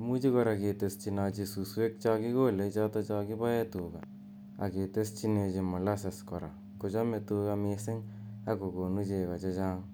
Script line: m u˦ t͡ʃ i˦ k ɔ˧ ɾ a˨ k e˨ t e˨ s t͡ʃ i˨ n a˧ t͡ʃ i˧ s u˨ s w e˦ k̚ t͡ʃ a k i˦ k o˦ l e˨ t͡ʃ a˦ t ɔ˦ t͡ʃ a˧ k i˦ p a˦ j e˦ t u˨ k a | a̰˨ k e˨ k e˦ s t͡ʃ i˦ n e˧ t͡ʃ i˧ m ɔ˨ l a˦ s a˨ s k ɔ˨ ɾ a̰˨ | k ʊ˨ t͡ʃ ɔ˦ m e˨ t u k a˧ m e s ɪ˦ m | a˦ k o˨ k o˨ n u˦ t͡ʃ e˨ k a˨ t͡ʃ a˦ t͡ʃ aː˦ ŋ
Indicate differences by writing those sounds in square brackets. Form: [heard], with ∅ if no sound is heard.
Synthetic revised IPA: m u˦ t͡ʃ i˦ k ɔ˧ ɾ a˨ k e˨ t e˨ s t͡ʃ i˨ n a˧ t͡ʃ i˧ s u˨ s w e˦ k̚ t͡ʃ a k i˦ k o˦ l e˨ t͡ʃ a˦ t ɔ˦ t͡ʃ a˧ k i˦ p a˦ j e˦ t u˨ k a | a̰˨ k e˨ [t] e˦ s t͡ʃ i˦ n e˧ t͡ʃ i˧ m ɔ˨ l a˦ s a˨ s k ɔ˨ ɾ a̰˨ | k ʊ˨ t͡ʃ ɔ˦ m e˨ t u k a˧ m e s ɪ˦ [ŋ] | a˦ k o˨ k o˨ n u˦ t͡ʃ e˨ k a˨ t͡ʃ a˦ t͡ʃ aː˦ ŋ